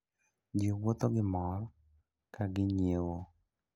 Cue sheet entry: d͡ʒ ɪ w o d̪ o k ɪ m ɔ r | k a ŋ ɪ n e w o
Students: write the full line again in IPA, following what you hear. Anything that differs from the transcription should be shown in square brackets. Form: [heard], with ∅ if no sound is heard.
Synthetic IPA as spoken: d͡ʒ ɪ w o [t̪] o [ɡ] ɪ m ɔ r | k a [ɡ] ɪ [ɲ] e w o